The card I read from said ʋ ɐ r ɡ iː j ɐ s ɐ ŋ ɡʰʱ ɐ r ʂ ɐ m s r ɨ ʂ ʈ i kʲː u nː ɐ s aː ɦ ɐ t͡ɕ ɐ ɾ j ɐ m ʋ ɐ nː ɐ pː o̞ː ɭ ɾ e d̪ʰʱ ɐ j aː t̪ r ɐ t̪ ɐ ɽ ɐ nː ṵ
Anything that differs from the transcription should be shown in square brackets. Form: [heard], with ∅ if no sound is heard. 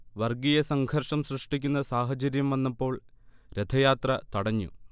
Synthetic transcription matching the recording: ʋ ɐ r ɡ [i] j ɐ s ɐ ŋ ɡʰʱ ɐ r ʂ ɐ m s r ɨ ʂ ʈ i kʲː u nː ɐ s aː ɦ ɐ t͡ɕ ɐ ɾ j ɐ m ʋ ɐ nː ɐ pː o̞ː ɭ ɾ e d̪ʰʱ ɐ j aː t̪ r ɐ t̪ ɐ ɽ ɐ [ɲː] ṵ